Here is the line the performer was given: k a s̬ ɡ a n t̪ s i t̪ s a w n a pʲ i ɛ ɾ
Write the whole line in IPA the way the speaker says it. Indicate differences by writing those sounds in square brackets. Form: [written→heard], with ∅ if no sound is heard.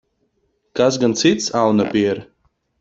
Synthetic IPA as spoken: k a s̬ ɡ a n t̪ s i t̪ s a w n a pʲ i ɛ ɾ